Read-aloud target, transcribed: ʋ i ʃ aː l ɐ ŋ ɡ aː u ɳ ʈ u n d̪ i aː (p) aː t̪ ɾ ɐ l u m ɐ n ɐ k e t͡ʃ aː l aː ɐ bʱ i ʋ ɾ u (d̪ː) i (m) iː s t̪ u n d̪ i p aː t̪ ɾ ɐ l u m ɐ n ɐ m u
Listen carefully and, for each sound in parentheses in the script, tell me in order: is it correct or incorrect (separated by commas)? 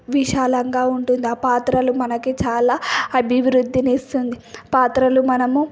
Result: correct, correct, incorrect